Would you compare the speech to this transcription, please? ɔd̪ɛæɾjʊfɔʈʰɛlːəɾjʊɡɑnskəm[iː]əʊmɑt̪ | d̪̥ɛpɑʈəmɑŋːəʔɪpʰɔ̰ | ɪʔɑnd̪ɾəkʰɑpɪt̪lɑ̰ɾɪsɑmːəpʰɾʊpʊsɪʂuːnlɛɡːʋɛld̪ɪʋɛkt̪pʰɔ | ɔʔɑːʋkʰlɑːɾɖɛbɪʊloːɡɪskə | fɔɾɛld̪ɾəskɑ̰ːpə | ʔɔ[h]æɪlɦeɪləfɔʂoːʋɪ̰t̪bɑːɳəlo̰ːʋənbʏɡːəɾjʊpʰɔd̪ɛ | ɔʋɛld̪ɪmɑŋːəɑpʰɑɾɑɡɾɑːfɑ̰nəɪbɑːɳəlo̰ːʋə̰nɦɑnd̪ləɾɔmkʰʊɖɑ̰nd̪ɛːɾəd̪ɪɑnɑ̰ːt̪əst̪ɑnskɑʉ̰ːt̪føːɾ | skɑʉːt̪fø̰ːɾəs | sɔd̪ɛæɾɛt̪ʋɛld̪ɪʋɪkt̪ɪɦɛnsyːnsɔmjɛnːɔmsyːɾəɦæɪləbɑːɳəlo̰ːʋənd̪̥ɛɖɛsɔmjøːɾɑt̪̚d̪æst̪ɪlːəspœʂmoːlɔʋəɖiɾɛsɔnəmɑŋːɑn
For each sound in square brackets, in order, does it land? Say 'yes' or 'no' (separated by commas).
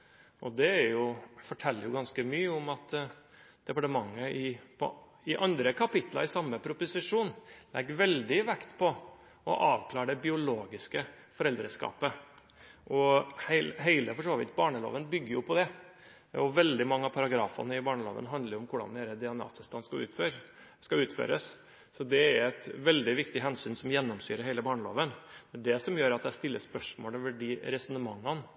no, yes